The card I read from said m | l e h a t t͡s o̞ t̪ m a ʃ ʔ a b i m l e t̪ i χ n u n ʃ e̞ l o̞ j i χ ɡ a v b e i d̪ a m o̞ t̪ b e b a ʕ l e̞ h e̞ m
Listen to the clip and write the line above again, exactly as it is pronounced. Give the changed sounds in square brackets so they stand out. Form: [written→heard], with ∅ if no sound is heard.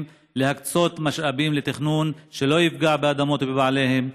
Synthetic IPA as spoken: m | l e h a [t→k] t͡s o̞ t̪ m a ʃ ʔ a b i m l e t̪ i χ n u n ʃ e̞ l o̞ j i [χ→f] ɡ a [v→ʕ] b e [i→a] d̪ a m o̞ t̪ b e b a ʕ l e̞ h e̞ m

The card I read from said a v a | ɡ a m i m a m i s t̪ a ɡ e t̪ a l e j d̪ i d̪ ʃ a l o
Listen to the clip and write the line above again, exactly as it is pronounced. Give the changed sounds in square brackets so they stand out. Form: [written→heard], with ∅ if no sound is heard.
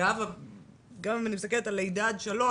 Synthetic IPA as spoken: a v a | ɡ a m i m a [m→n] i s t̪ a [ɡ→k] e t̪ a l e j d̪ [i→a] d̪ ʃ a l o

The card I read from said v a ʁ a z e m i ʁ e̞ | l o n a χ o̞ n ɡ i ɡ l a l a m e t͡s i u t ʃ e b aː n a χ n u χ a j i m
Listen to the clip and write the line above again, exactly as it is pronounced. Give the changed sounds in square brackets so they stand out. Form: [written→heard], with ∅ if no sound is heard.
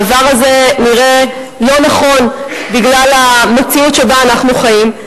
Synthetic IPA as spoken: v a ʁ a z e [m→n] i ʁ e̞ | l o n a χ o̞ n [ɡ→b] i ɡ l a l a m e t͡s i u t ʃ e b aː n a χ n u χ a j i m

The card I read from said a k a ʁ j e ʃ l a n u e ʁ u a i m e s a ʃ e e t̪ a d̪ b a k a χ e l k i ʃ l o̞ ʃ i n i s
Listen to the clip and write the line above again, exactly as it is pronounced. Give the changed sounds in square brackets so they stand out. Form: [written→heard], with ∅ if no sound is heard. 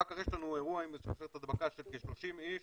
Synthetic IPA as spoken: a k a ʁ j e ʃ l a n u e ʁ u a i m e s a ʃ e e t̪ a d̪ b a k a [χ→ʃ] e l k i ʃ l o̞ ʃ i [n→m] i [s→ʃ]

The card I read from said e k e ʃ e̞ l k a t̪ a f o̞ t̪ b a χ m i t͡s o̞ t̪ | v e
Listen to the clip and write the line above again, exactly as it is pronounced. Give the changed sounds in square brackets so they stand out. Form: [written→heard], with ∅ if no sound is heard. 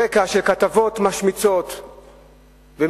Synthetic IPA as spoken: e k [e→a] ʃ e̞ l k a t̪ a [f→v] o̞ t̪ [b→m] a [χ→ʃ] m i t͡s o̞ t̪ | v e

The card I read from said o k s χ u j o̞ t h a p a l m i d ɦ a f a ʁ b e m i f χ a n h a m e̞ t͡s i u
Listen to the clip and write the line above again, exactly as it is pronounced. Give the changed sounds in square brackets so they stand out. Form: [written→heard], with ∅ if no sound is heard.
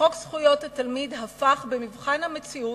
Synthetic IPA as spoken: o k s χ u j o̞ t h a [p→t] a l m i d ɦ a f a [ʁ→χ] b e m i [f→v] χ a n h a m e̞ t͡s i u

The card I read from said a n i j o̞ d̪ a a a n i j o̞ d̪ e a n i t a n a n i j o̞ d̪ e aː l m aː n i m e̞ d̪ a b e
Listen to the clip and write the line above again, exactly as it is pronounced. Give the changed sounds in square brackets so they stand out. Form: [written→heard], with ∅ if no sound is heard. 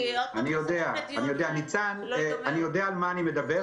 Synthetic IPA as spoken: a n i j o̞ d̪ [a→e] a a n i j o̞ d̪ e a n i [t→t͡s] a n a n i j o̞ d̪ e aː l m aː n i m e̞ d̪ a b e

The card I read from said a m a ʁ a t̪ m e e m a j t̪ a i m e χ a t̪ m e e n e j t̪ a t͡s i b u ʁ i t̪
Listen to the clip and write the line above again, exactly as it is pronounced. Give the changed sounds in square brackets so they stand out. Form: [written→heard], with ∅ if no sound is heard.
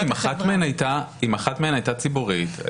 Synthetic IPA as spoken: [a→i] m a [ʁ→χ] a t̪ m e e [m→n] a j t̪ a i m [e→a] χ a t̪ m e e n [e→a] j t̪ a t͡s i b u ʁ i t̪

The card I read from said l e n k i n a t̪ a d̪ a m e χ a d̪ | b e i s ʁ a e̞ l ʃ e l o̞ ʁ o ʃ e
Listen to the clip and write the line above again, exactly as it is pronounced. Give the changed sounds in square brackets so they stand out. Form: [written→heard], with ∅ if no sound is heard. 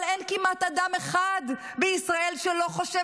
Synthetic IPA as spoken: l e n k i [n→m] a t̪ a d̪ a m e χ a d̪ | b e i s ʁ a e̞ l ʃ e l o̞ [ʁ→χ] o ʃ e

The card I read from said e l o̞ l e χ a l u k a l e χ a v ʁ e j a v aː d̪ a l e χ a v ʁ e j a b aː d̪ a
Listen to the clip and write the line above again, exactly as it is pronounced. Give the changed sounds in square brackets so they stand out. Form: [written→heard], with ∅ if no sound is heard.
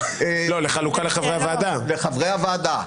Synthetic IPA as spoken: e l o̞ l e χ a l u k a l e χ a v ʁ e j a v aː d̪ a l e χ a v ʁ e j a [b→v] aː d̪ a

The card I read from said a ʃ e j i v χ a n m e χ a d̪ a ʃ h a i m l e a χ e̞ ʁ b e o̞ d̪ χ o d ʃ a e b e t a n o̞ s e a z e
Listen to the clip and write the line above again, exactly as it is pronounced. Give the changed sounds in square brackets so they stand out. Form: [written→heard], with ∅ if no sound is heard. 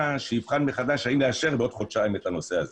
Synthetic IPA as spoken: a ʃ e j i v χ a n m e χ a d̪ a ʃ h a i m l e a [χ→ʃ] e̞ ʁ b e o̞ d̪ χ o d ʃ a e [b→m] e t a n o̞ s e a z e

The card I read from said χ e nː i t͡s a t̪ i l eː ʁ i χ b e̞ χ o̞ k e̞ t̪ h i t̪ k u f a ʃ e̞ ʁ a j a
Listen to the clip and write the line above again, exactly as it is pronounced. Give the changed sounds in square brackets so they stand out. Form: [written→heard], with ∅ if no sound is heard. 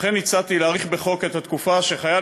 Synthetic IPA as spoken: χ e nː i t͡s a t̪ i l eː ʁ i χ b e̞ χ o̞ k e̞ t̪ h [i→a] t̪ k u f a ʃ e̞ [ʁ→χ] a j a

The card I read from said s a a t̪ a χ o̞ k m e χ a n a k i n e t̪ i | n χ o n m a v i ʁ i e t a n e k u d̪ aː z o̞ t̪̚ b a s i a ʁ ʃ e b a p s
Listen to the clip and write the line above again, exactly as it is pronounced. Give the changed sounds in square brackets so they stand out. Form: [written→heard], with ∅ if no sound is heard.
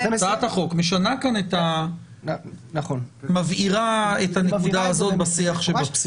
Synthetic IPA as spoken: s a a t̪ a χ o̞ k m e [χ→ʃ] a n a k [i→a] n e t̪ [i→a] | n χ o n m a v i ʁ [i→a] e t a n e k u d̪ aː z o̞ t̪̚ b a s i a [ʁ→χ] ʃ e b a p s

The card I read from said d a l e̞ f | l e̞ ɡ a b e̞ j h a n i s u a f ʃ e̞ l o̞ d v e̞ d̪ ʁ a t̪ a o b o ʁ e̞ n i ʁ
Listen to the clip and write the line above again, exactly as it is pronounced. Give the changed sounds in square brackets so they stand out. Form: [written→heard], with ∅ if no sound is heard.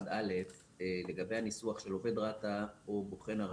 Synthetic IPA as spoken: d a l e̞ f | l e̞ ɡ a b e̞ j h a n i s u a [f→χ] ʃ e̞ l o̞ [d→∅] v e̞ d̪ ʁ a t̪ a o b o [ʁ→χ] e̞ n [i→a] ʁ

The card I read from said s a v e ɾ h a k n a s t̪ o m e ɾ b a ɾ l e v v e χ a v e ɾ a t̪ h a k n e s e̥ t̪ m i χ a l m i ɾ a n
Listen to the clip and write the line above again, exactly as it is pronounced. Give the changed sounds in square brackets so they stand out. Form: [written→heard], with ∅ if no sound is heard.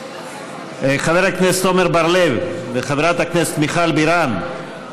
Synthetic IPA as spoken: [s→χ] a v e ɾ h a k n [a→e] s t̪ o m e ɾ b a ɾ l e v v e χ a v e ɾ a t̪ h a k n e s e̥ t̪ m i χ a l [m→b] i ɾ a n

